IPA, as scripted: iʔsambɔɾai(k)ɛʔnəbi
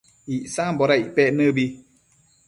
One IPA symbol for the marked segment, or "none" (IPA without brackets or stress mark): p